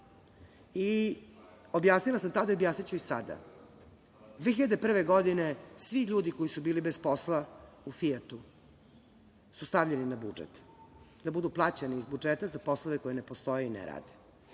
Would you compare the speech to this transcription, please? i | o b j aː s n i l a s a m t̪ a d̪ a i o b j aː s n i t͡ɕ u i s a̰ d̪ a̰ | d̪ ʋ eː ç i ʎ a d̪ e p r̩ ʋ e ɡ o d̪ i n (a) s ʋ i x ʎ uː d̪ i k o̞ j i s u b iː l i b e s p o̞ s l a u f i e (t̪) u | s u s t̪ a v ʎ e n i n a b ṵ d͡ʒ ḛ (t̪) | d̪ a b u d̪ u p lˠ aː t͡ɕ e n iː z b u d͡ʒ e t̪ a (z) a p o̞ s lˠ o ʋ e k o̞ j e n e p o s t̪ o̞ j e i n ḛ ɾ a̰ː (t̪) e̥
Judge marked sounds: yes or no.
no, yes, yes, yes, no

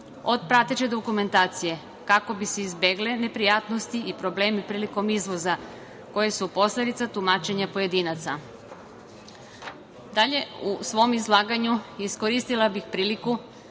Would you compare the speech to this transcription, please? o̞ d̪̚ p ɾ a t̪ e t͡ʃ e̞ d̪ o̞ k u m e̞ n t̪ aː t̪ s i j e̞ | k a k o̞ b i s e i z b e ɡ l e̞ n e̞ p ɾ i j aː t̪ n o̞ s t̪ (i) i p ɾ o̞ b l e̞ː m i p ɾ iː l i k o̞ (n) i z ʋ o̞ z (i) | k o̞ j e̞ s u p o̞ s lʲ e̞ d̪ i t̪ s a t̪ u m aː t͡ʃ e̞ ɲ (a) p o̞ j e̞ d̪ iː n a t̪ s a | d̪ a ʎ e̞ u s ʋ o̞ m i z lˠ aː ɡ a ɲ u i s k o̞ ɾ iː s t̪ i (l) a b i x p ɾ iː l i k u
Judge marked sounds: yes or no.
yes, no, no, yes, yes

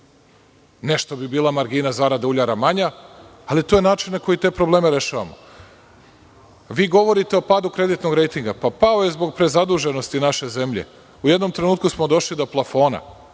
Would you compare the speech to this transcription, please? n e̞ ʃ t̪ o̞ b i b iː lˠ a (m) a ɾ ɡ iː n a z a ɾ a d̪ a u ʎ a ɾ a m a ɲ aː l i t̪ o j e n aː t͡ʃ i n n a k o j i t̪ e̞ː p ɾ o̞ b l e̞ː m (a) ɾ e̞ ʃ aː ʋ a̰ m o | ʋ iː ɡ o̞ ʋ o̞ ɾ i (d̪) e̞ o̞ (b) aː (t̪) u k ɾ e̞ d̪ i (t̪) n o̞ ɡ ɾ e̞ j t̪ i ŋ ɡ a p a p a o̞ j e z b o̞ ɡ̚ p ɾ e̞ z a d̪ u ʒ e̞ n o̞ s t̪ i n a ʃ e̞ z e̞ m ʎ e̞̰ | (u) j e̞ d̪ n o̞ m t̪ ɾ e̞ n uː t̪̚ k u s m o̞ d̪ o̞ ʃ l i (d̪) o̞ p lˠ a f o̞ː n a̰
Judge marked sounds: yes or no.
yes, no, no, no, no, yes, yes, yes

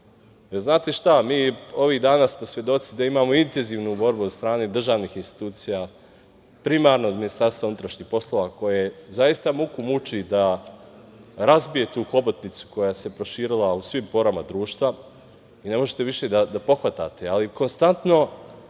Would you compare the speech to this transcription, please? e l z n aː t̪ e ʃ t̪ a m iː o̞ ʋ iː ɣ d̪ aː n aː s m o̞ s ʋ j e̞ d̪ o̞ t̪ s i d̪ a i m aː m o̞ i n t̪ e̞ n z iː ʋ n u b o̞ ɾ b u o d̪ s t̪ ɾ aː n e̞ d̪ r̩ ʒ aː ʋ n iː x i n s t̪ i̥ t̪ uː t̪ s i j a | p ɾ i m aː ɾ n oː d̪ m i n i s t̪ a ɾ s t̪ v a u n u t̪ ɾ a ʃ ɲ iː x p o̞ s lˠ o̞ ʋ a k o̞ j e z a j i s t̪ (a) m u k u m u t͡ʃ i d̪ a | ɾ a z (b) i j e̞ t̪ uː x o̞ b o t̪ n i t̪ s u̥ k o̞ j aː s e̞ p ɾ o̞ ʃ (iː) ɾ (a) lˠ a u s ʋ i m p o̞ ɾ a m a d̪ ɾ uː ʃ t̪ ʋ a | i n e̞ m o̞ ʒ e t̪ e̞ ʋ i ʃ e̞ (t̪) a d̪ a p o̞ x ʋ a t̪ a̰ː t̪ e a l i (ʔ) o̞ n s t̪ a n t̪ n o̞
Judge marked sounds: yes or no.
yes, yes, yes, no, no, no

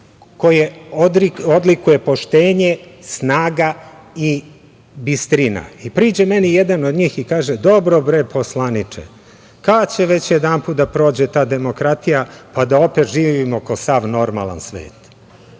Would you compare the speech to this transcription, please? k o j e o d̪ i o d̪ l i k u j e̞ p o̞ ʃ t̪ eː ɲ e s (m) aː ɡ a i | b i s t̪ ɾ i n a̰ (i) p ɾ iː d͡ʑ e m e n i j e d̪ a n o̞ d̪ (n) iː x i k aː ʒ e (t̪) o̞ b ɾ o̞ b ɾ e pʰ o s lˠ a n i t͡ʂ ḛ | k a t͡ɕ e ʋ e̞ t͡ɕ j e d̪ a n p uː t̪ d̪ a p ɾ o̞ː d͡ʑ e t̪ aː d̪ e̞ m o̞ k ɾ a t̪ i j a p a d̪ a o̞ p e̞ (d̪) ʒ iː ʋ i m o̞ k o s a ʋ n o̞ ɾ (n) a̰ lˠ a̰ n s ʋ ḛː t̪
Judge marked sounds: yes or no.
no, yes, no, no, no, no

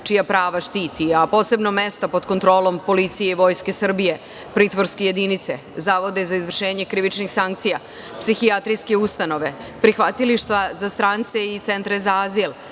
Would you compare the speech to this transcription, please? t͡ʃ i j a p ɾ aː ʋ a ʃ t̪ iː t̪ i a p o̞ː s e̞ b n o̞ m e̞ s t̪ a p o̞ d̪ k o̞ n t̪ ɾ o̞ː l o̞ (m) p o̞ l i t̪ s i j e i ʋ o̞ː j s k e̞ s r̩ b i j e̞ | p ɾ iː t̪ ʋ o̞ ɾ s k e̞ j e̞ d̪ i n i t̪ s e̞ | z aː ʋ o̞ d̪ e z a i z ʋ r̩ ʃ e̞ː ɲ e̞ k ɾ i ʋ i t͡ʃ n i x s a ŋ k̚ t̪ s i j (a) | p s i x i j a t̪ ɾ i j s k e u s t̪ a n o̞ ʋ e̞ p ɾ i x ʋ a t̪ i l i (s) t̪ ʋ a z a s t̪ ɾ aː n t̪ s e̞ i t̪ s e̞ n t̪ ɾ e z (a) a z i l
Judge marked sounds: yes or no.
yes, yes, no, yes

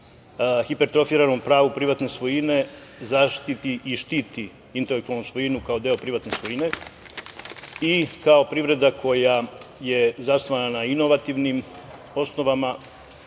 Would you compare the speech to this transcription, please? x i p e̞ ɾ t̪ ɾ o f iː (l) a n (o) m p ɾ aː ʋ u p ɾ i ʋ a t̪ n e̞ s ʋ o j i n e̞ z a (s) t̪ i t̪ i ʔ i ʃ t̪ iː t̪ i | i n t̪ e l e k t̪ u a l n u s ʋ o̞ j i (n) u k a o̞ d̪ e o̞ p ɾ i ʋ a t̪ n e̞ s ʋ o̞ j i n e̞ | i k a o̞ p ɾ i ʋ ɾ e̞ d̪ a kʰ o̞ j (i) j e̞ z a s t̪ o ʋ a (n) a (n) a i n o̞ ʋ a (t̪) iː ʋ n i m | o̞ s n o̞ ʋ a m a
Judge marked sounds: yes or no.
no, yes, no, yes, no, yes, yes, yes

